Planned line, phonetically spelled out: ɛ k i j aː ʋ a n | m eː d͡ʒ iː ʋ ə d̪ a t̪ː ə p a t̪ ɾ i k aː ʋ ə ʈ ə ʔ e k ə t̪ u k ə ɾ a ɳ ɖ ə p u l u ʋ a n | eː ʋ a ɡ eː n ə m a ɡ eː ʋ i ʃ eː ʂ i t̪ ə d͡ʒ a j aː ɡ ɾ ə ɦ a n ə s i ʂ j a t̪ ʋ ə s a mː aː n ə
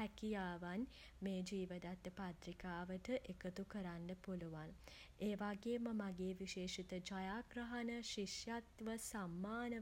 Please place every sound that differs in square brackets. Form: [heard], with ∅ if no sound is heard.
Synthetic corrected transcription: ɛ k i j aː ʋ a n | m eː d͡ʒ iː ʋ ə d̪ a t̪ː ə p a t̪ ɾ i k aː ʋ ə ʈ ə ʔ e k ə t̪ u k ə ɾ a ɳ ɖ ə p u l u ʋ a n | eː ʋ a ɡ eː [m] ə m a ɡ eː ʋ i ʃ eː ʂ i t̪ ə d͡ʒ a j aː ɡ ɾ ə ɦ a n ə [ʃ] i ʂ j a t̪ ʋ ə s a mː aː n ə